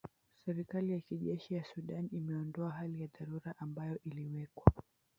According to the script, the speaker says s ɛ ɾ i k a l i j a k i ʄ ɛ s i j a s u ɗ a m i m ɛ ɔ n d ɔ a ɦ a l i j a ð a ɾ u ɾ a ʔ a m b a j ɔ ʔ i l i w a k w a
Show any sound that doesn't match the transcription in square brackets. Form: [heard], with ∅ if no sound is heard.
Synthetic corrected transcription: s ɛ ɾ i k a l i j a k i ʄ ɛ [ʃ] i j a s u ɗ a [n] i m ɛ ɔ n d ɔ a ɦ a l i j a ð a ɾ u ɾ a ʔ a m b a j ɔ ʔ i l i w [ɛ] k w a

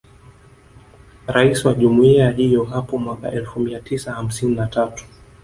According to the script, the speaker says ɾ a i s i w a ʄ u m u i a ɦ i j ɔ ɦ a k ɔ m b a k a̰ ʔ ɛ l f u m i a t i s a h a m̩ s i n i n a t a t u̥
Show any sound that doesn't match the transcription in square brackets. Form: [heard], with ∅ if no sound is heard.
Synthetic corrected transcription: ɾ a i s i w a ʄ u m u i a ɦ i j ɔ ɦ a [p] ɔ m [w] a k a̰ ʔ ɛ l f u m i a t i s a h a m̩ s i n i n a t a t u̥

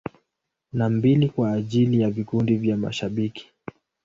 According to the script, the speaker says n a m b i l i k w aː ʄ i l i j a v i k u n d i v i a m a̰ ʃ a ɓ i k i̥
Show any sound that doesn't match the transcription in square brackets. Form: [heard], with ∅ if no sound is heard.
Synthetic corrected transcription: n a m b i l i k w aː ʄ i l i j a v i k u n d i v [j] a m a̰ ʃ a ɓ i k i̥

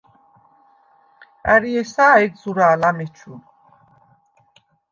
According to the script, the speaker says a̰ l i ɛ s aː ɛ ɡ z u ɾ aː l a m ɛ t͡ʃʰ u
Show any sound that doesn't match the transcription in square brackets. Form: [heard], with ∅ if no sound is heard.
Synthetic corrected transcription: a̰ [ɾ] i ɛ s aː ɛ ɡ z u ɾ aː l a m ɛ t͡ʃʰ u

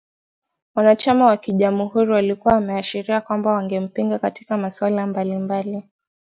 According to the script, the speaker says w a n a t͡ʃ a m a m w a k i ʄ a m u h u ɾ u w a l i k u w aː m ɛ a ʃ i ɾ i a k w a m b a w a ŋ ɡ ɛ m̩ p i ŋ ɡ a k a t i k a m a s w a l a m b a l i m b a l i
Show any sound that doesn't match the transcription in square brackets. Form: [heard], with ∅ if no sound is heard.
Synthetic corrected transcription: w a n a t͡ʃ a m a [∅] w a k i ʄ a m u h u ɾ u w a l i k u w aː m ɛ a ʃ i ɾ i a k w a m b a w a ŋ ɡ ɛ m̩ p i ŋ ɡ a k a t i k a m a s w a l a m b a l i m b a l i

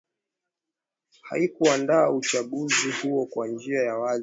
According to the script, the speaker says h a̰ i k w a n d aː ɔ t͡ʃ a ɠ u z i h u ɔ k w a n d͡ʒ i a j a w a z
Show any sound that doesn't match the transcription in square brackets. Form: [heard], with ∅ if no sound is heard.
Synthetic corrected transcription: h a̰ i k [u] a n d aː [u] t͡ʃ a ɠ u z i h u ɔ k w a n d͡ʒ i a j a w a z

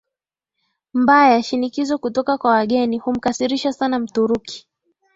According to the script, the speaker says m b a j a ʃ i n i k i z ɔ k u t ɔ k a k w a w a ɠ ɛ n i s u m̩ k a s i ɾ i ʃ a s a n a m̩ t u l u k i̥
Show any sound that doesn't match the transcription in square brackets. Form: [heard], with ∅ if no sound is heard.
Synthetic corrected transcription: m b a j a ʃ i n i k i z ɔ k u t ɔ k a k w a w a ɠ ɛ n i [h] u m̩ k a s i ɾ i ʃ a s a n a m̩ t u [ɾ] u k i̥

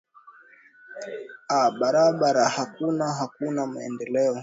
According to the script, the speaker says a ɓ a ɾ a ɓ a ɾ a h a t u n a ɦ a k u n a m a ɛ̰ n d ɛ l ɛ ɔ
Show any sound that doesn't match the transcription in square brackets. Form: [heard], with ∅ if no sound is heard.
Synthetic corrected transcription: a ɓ a ɾ a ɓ a ɾ a h a [k] u n a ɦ a k u n a m a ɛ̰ n d ɛ l ɛ ɔ

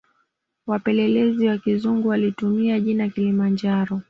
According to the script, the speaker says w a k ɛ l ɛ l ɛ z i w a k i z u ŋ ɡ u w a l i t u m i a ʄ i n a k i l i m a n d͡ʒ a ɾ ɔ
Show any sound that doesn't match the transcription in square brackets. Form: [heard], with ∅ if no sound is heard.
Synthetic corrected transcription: w a [p] ɛ l ɛ l ɛ z i w a k i z u ŋ ɡ u w a l i t u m i a ʄ i n a k i l i m a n d͡ʒ a ɾ ɔ

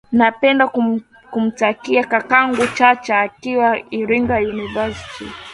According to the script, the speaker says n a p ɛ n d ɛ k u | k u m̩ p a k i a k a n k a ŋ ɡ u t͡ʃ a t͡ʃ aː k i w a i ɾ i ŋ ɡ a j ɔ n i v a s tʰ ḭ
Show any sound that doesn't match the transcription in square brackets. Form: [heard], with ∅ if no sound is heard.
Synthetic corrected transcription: n a p ɛ n d [a] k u | k u m̩ [t] a k i a k a [∅] k a ŋ ɡ u t͡ʃ a t͡ʃ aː k i w a i ɾ i ŋ ɡ a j [u] n i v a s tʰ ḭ

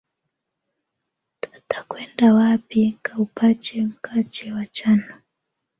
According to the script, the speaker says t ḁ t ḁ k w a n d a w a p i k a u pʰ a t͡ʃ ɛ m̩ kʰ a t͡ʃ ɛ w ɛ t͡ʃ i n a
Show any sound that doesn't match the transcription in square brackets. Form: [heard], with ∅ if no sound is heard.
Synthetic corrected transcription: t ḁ t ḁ k w [ɛ] n d a w a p i k a u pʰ a t͡ʃ ɛ m̩ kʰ a t͡ʃ ɛ w [a] t͡ʃ [a] n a

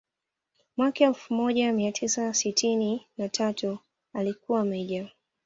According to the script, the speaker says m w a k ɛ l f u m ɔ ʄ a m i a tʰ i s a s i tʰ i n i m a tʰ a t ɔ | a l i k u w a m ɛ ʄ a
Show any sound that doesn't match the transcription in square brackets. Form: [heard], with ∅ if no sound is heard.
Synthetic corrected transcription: m w a k ɛ l f u m ɔ ʄ a m i a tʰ i s a s i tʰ i n i [n] a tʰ a t [u] | a l i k u w a m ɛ ʄ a

